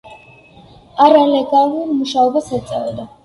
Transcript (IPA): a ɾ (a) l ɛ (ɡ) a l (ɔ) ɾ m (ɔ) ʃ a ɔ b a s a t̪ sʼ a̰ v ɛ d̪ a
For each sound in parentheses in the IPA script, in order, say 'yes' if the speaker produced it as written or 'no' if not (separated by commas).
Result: yes, yes, no, no